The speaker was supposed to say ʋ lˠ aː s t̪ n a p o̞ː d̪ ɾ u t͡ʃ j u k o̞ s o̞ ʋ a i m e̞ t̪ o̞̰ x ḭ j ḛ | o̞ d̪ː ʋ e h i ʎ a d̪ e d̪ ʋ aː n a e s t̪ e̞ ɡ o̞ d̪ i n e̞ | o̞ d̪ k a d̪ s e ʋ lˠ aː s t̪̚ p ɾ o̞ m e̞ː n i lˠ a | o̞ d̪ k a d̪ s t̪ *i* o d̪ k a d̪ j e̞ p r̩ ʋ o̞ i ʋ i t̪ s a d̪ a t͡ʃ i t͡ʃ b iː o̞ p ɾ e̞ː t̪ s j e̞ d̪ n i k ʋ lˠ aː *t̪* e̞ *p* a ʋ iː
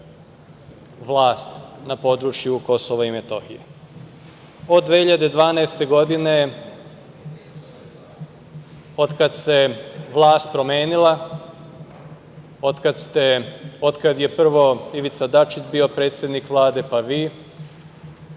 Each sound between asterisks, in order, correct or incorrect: incorrect, incorrect, correct

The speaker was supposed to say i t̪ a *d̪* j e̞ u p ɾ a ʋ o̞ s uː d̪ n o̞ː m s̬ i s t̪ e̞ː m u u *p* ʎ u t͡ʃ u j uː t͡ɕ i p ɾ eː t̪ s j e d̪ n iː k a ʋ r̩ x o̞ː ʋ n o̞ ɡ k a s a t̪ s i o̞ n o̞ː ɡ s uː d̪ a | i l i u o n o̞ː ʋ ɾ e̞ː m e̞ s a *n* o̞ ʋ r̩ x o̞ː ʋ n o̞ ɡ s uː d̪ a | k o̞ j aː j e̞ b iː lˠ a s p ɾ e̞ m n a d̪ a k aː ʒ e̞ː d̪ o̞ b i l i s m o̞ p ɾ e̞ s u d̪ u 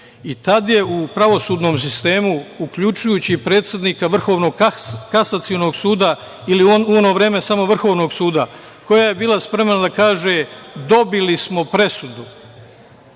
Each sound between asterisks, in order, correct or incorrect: correct, incorrect, incorrect

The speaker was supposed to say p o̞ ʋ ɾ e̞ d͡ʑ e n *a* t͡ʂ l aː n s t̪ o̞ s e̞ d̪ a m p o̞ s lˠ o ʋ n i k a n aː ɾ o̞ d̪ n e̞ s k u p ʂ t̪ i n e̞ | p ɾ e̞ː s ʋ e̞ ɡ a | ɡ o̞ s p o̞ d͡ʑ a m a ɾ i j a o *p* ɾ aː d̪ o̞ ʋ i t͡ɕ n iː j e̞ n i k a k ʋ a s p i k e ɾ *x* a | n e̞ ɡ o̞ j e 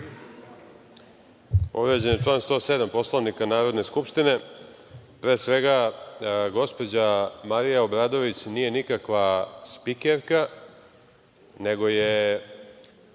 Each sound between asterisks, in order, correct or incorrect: incorrect, incorrect, incorrect

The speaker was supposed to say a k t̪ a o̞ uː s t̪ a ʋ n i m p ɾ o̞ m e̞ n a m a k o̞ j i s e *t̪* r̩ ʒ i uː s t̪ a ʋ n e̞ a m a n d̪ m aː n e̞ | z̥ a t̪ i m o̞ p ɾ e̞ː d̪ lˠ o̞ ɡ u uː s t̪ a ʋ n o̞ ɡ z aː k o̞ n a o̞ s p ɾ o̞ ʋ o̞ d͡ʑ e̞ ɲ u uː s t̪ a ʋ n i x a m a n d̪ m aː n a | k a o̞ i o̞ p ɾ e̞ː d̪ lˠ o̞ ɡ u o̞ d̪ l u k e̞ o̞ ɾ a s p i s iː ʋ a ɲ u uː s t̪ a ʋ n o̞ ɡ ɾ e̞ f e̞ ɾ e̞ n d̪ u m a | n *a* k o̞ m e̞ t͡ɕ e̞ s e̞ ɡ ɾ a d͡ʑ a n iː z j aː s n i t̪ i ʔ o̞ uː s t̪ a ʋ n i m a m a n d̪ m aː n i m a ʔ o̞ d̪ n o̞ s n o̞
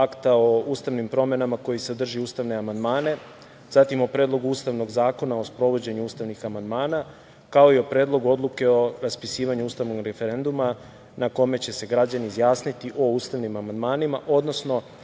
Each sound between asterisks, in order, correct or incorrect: incorrect, correct

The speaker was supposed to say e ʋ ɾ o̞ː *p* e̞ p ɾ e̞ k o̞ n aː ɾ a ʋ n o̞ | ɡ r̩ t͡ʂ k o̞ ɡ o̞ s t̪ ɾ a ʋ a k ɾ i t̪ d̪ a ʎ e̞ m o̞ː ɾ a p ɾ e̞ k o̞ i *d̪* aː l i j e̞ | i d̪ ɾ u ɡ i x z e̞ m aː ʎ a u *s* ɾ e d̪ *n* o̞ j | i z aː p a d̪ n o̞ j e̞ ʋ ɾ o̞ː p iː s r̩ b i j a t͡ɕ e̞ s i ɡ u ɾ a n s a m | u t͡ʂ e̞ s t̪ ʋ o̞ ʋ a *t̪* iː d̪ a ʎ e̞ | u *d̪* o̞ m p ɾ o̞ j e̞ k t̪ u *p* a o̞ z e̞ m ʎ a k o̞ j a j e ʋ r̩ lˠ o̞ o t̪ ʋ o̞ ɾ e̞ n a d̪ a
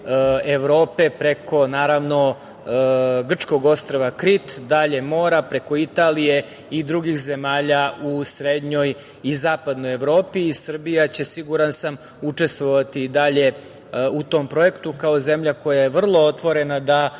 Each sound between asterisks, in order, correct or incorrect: correct, incorrect, correct, incorrect, correct, incorrect, incorrect

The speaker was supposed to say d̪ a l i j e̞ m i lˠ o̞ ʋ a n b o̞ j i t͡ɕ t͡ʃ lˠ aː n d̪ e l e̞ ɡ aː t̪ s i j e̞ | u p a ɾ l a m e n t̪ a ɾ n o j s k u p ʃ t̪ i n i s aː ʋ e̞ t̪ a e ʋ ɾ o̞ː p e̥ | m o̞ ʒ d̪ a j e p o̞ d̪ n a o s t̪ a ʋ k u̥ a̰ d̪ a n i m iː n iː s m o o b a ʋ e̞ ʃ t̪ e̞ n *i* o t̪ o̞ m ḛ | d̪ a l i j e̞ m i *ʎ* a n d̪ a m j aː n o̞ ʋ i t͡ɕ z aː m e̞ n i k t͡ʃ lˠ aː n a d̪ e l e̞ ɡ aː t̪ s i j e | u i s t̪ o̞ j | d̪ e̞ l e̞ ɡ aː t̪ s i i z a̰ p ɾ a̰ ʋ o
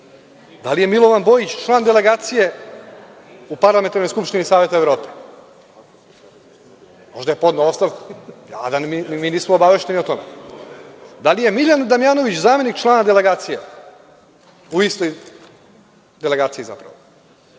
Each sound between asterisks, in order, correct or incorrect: correct, correct

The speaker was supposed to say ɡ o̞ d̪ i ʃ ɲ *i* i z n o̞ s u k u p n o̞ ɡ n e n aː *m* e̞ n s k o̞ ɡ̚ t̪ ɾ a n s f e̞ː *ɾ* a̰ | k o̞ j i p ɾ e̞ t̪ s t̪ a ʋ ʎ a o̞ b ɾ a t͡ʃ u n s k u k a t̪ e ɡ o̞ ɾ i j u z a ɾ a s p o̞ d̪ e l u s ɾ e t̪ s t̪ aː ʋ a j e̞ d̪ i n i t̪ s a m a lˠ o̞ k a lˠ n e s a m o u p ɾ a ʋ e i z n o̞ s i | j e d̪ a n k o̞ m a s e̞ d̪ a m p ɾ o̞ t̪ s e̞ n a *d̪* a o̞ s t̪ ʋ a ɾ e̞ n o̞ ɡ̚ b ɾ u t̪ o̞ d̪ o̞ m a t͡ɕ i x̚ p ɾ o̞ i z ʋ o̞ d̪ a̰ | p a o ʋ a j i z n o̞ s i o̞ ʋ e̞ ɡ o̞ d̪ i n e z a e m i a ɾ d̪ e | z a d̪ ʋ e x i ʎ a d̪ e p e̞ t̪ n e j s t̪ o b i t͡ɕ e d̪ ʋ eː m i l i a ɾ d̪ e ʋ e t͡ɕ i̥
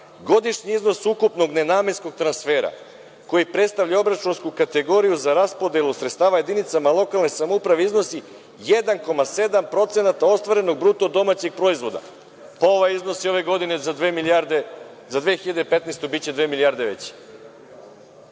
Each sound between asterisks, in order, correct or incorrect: correct, correct, correct, incorrect

